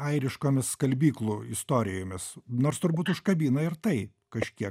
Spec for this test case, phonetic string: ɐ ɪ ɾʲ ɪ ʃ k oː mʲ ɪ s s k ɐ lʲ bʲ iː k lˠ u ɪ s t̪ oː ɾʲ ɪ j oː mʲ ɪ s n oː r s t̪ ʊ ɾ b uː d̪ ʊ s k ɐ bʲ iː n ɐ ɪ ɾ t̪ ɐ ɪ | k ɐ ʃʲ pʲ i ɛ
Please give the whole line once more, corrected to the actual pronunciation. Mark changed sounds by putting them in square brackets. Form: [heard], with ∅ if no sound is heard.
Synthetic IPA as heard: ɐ ɪ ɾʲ ɪ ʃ k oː mʲ ɪ s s k ɐ lʲ bʲ iː k lˠ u ɪ s t̪ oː ɾʲ ɪ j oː mʲ ɪ s n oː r s t̪ ʊ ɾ b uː [t̪] ʊ [ʃ] k ɐ bʲ iː n ɐ ɪ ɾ t̪ ɐ ɪ | k ɐ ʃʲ [kʲ] i ɛ